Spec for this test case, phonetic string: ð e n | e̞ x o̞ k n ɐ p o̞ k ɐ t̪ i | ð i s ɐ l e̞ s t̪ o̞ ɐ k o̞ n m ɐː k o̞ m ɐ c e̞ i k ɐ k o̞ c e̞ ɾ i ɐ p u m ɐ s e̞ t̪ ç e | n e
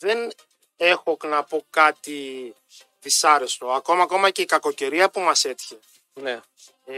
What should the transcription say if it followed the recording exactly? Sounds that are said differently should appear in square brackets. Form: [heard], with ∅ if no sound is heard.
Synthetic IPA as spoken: ð e n | e̞ x o̞ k n ɐ p o̞ k ɐ t̪ i | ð i s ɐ [ɾ] e̞ s t̪ o̞ ɐ k o̞ [∅] m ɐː k o̞ m ɐ c e̞ i k ɐ k o̞ c e̞ ɾ i ɐ p u m ɐ s e̞ t̪ ç e | n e